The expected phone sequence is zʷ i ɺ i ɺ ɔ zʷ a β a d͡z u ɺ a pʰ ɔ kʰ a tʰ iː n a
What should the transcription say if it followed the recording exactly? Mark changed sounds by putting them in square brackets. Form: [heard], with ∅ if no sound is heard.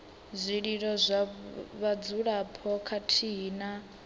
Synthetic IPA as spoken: zʷ i ɺ i ɺ ɔ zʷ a β a d͡z u ɺ a pʰ ɔ kʰ a tʰ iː n a

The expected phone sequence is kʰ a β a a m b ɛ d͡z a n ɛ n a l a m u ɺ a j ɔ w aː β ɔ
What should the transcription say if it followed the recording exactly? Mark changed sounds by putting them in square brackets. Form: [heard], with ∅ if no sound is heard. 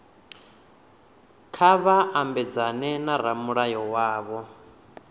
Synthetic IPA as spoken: kʰ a β a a m b ɛ d͡z a n ɛ n a [ɾ] a m u ɺ a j ɔ w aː β ɔ

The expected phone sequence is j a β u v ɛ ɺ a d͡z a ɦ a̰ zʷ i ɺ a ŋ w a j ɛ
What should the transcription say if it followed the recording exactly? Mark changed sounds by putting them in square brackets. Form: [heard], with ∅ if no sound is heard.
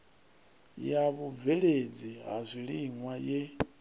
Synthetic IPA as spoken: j a β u v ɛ ɺ [e] d͡z [i] ɦ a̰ zʷ i ɺ [i] ŋ w a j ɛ

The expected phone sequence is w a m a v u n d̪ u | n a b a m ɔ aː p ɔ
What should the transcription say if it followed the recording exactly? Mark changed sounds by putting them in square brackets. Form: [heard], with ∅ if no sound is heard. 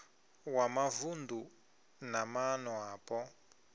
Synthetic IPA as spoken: w a m a v u n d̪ u | n a [m] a [n] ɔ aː p ɔ

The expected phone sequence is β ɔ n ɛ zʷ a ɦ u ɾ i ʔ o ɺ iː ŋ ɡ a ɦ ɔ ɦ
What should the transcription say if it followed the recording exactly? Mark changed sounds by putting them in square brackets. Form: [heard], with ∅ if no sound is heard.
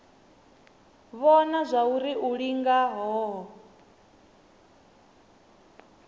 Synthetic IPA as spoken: β ɔ n [a] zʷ a [∅] u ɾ i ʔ [u] ɺ [i] ŋ ɡ a ɦ ɔ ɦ

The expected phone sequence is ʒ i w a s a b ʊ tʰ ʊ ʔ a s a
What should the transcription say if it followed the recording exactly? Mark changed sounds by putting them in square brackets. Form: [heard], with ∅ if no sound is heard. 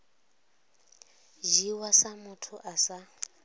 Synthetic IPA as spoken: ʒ i w a s a [m] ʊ tʰ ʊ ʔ a s a

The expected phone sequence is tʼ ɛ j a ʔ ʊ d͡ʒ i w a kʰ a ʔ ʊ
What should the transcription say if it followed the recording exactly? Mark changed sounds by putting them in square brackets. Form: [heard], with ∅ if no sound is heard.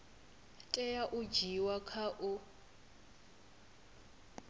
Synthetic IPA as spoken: tʼ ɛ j a ʔ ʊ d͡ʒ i w a kʰ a ʔ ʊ

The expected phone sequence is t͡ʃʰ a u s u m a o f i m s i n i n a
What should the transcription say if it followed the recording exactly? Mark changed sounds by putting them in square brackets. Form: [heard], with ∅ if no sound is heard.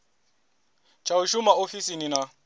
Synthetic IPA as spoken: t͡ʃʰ a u [ʃ] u m a o f i [∅] s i n i n a

